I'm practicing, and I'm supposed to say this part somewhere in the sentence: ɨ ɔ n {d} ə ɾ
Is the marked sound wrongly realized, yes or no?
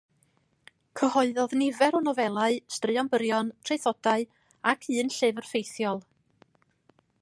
yes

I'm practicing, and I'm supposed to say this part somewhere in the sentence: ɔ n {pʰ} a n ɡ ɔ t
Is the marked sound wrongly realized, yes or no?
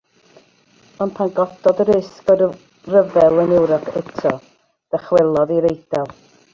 no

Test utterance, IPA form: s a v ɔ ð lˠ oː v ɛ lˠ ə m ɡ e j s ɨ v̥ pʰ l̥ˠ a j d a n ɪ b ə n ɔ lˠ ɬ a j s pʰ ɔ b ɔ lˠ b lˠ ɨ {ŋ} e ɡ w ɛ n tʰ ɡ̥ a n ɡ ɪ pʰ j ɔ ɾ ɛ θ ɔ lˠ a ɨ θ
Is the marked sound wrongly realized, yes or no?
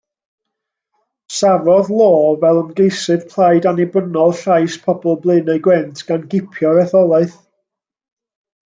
yes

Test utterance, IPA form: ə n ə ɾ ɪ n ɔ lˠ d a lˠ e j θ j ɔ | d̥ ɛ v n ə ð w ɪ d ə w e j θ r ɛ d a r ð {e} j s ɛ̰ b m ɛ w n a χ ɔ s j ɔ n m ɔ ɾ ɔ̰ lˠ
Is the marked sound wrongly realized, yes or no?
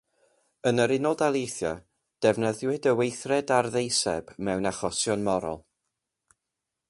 no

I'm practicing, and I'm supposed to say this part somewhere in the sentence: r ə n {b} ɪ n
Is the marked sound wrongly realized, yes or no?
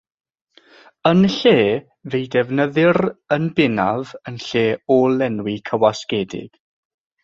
no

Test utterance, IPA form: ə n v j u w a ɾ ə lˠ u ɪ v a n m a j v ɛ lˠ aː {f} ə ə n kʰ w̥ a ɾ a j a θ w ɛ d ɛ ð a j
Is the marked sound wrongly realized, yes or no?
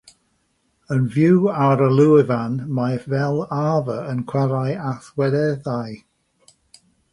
yes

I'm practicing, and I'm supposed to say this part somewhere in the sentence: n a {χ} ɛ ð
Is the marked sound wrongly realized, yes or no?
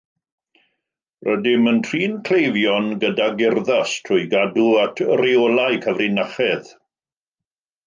no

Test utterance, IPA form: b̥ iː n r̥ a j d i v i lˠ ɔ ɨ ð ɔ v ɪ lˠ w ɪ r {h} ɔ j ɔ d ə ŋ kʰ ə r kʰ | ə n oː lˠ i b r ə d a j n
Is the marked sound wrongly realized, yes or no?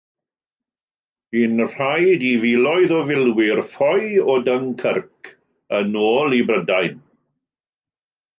yes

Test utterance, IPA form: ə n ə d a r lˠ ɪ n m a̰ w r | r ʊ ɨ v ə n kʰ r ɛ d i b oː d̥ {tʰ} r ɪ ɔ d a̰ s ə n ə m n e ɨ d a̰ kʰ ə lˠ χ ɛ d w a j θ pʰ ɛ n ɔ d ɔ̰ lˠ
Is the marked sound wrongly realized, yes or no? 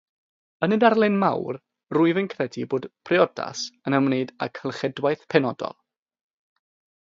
yes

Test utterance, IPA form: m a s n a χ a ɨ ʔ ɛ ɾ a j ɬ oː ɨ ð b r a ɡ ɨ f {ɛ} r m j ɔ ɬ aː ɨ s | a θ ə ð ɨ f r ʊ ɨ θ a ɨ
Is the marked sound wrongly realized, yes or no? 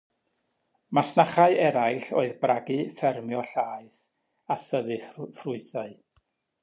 no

